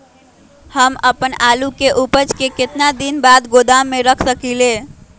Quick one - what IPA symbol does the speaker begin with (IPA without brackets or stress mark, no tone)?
h